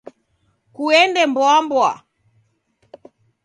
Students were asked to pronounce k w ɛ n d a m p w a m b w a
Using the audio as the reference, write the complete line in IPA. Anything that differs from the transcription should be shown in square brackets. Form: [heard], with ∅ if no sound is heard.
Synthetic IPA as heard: k [u] ɛ n d [ɛ] m [b] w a m b w a